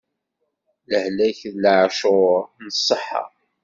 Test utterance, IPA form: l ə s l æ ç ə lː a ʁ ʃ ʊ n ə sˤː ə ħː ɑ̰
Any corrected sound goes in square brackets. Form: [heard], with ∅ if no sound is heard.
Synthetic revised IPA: l ə [h] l æ ç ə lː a [ʕ] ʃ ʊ n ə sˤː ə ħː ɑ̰